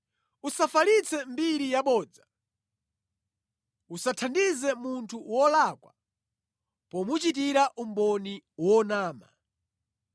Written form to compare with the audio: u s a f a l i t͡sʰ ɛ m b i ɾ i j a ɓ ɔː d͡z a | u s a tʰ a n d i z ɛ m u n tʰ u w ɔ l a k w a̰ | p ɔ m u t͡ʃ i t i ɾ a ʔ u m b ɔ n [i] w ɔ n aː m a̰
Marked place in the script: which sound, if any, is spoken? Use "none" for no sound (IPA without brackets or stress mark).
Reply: i